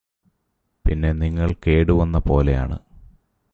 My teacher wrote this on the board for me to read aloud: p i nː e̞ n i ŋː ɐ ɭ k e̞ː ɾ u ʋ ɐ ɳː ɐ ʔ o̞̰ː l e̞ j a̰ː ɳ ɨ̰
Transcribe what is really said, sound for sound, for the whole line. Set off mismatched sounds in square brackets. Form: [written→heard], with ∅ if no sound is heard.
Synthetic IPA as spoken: p i nː e̞ n i ŋː ɐ ɭ k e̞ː [ɾ→ɽ] u ʋ ɐ [ɳː→nː] ɐ [ʔ→p] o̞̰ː l e̞ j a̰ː ɳ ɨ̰